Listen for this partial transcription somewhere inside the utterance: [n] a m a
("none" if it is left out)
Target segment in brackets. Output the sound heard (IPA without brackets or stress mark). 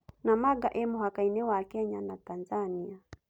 n